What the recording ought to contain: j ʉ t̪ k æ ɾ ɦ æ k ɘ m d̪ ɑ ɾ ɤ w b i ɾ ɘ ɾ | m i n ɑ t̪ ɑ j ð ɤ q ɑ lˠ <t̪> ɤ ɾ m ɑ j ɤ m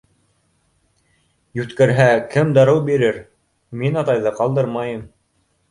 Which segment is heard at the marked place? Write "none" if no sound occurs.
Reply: d̪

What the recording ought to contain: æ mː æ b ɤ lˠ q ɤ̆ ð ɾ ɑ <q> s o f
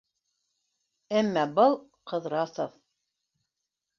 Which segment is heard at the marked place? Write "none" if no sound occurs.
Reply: none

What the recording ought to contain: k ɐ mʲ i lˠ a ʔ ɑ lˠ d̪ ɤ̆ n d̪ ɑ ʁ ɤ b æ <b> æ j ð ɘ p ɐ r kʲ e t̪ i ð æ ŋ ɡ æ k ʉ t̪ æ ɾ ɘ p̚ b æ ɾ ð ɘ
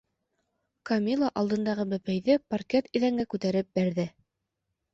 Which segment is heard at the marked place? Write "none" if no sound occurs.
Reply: p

